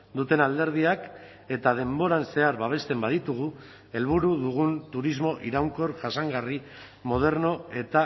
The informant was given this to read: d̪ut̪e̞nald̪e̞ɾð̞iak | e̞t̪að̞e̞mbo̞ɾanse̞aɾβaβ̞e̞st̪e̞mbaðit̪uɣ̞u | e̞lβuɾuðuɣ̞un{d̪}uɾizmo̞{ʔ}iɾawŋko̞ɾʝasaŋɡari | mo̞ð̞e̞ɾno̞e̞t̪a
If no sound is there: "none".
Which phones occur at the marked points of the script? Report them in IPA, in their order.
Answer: t̪, ʔ

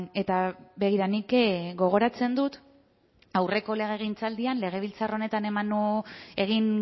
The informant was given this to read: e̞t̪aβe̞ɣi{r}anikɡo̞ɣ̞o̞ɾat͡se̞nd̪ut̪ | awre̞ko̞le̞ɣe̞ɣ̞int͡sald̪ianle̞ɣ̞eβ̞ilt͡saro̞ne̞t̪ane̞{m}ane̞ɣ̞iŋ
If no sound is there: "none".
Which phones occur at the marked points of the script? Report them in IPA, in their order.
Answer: ɾ, m

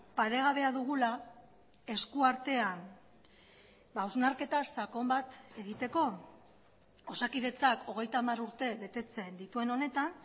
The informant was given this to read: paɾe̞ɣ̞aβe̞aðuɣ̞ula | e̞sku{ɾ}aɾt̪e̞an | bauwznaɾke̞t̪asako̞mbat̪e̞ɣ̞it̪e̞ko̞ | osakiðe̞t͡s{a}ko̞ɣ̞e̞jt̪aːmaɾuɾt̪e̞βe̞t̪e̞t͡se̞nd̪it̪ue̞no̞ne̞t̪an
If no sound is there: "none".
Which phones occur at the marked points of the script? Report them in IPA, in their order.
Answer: none, a

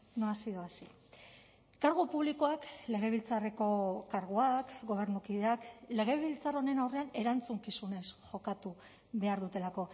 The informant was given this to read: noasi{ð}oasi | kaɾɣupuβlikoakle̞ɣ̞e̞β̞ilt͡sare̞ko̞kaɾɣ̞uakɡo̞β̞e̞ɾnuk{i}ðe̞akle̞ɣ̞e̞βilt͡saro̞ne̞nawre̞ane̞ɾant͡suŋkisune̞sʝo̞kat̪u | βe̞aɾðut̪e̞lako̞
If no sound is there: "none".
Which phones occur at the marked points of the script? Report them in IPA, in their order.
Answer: ð, i

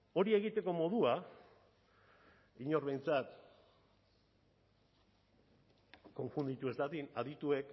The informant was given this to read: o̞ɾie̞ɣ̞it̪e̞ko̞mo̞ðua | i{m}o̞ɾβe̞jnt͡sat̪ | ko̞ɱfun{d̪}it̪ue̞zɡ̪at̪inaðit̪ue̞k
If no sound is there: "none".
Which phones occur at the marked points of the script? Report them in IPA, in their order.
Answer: ɲ, d̪

